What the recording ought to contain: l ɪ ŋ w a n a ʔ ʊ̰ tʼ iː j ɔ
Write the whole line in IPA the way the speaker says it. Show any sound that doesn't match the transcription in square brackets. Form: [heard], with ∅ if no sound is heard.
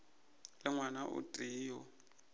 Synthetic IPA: l ɪ ŋ w a n a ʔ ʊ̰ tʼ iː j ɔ